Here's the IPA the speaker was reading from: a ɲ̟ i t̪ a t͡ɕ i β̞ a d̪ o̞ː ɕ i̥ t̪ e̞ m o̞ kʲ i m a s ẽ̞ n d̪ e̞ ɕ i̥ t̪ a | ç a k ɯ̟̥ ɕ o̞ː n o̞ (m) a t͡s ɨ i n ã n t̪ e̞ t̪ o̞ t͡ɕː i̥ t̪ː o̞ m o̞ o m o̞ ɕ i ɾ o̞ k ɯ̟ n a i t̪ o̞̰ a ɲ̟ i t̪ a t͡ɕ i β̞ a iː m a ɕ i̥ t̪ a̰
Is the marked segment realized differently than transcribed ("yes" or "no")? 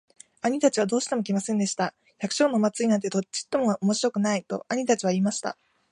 no